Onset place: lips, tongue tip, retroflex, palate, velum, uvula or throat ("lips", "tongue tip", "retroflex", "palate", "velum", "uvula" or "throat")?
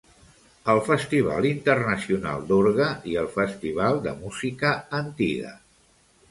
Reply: tongue tip